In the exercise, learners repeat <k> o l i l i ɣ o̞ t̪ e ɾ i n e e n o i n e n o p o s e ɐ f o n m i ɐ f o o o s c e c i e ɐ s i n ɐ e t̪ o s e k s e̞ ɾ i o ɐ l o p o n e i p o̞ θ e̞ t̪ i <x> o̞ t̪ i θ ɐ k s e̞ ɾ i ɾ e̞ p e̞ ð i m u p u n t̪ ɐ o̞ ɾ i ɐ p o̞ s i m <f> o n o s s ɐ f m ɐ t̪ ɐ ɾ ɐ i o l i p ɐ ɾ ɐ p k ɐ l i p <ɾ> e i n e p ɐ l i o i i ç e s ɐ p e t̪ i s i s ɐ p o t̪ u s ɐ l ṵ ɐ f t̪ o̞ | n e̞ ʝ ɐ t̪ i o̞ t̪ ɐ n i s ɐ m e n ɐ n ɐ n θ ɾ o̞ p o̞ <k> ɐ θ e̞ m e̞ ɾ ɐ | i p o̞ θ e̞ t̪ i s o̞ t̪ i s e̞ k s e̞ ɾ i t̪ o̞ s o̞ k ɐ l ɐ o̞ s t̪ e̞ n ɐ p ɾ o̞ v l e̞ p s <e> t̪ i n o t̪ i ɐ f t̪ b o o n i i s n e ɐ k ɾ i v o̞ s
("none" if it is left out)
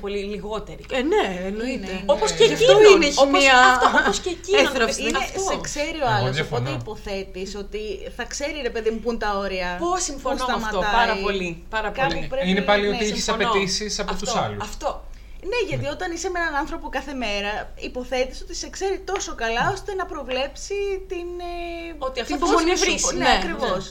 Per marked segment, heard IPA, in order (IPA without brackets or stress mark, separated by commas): p, s, f, ɾ, k, i